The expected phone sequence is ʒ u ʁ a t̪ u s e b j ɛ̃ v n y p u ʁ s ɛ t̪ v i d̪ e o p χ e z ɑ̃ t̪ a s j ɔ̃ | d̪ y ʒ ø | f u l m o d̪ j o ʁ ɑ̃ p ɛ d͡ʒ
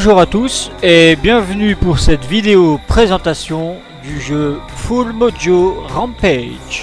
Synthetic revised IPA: ʒ u ʁ a t̪ u s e b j ɛ̃ v n y p u ʁ s ɛ t̪ v i d̪ e o p χ e z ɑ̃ t̪ a s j ɔ̃ | d̪ y ʒ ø | f u l m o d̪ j o ʁ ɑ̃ p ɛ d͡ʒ